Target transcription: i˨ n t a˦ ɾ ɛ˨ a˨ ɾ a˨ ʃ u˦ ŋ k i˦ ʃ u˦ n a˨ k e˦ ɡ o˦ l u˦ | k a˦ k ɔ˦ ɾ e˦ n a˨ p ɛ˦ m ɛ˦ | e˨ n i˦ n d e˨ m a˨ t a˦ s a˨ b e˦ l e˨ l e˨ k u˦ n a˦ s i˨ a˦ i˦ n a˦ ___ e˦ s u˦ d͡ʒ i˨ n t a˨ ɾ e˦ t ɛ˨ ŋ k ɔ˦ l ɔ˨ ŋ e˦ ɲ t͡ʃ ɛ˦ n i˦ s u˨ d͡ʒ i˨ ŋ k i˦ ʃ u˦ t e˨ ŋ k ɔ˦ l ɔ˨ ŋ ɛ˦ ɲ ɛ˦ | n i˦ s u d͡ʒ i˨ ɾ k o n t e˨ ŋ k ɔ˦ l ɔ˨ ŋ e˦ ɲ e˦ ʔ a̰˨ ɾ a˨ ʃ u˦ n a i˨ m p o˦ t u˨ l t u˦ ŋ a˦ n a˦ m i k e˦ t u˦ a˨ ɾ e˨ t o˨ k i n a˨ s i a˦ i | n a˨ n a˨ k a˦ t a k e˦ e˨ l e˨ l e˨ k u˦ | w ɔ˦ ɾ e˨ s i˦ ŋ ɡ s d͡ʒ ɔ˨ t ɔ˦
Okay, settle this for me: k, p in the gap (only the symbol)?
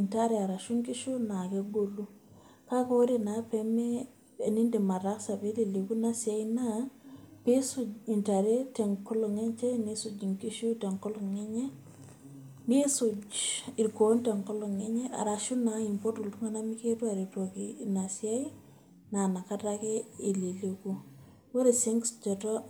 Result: p